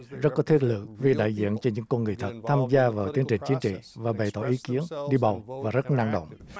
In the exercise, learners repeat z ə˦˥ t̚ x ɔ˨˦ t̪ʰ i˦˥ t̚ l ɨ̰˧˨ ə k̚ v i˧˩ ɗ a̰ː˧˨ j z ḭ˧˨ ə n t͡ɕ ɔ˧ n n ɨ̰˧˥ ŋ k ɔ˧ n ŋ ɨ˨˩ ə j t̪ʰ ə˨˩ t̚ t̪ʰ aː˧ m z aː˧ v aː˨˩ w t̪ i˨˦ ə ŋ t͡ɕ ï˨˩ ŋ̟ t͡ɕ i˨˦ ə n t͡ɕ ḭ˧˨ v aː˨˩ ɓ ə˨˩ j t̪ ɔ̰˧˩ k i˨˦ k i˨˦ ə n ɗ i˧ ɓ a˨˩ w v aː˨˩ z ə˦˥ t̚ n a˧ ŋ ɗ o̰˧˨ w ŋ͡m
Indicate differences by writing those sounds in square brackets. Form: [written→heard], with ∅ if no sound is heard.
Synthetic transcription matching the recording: z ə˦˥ t̚ [x→k] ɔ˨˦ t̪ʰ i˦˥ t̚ l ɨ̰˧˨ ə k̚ v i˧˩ ɗ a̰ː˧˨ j z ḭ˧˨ ə n t͡ɕ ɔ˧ n [n→ɲ] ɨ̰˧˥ ŋ k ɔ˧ n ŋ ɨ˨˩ ə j t̪ʰ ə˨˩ t̚ t̪ʰ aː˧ m z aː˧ v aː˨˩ w t̪ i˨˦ ə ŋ t͡ɕ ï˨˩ ŋ̟ t͡ɕ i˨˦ ə n t͡ɕ ḭ˧˨ v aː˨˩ ɓ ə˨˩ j t̪ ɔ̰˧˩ [k→ʔ] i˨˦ k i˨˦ ə n ɗ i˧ ɓ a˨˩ w v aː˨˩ z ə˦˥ t̚ n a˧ ŋ ɗ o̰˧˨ w ŋ͡m